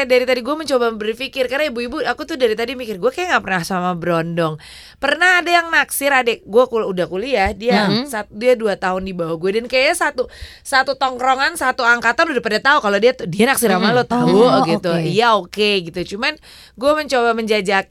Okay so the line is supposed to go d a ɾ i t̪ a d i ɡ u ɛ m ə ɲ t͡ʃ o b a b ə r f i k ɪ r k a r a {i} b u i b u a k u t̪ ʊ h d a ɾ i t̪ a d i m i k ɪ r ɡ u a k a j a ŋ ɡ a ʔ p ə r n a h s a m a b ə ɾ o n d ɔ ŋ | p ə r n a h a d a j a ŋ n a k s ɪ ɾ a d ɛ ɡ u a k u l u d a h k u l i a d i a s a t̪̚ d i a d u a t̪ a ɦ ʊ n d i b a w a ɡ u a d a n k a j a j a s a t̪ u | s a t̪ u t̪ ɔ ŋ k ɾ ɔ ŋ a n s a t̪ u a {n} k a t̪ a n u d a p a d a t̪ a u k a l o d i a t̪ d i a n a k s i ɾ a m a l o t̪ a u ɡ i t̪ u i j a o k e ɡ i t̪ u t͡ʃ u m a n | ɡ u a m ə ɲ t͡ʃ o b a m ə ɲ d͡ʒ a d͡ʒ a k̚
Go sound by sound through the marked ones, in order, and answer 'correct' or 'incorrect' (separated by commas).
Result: correct, incorrect